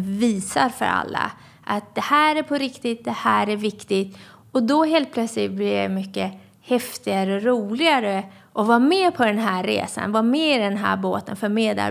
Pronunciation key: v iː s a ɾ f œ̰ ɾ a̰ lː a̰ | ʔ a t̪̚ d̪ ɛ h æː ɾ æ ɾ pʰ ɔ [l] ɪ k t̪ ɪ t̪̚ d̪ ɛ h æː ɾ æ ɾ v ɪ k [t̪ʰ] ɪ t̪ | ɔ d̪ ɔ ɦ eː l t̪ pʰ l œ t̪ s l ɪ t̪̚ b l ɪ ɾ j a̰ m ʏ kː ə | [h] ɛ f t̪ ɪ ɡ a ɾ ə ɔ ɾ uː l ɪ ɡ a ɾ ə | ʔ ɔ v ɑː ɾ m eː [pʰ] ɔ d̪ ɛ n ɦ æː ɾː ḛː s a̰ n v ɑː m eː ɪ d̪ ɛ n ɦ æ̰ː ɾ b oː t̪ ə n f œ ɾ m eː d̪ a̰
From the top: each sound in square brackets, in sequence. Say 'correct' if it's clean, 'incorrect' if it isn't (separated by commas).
incorrect, incorrect, correct, correct